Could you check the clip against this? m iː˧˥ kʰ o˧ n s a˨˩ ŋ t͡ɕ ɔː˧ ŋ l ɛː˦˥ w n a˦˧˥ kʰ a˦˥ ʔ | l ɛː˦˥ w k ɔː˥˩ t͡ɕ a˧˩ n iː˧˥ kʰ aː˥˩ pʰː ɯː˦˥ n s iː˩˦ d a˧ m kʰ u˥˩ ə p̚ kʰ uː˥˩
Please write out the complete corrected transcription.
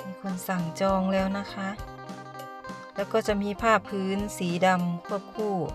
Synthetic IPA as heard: m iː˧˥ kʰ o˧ n s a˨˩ ŋ t͡ɕ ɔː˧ ŋ l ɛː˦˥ w n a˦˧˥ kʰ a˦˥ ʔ | l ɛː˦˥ w k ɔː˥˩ t͡ɕ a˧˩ m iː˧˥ pʰ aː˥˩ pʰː ɯː˦˥ n s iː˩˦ d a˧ m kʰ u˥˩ ə p̚ kʰ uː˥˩